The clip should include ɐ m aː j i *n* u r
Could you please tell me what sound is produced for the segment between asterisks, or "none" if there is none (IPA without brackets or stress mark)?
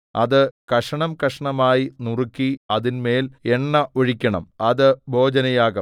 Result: n